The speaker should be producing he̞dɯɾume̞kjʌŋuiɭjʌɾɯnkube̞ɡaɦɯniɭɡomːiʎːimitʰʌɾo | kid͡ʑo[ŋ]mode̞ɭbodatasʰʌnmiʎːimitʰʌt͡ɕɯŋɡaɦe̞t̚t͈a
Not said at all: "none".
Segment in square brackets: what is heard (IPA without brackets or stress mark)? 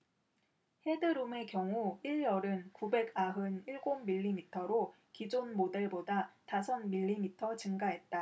n